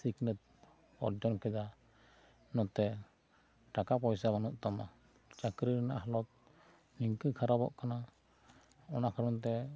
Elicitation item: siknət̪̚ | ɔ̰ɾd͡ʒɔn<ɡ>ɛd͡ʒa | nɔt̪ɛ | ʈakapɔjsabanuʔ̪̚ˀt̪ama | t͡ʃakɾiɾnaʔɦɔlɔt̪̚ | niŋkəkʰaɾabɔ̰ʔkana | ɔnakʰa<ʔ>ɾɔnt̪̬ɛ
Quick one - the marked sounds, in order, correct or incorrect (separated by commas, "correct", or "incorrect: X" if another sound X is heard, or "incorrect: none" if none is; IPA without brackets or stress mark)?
incorrect: k, incorrect: none